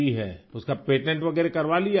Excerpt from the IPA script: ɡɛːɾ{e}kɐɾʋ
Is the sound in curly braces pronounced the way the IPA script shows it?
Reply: yes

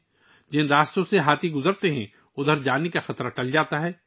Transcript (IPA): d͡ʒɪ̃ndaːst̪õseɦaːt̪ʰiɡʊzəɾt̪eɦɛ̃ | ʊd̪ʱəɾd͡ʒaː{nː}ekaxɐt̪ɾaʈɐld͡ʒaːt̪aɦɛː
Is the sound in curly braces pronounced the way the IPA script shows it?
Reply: no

